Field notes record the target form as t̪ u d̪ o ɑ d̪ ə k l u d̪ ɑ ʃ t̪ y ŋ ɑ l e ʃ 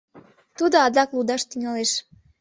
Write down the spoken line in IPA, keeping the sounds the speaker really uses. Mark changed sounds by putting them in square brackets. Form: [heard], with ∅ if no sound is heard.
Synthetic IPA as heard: t̪ u d̪ o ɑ d̪ [ɑ] k l u d̪ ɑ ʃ t̪ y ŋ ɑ l e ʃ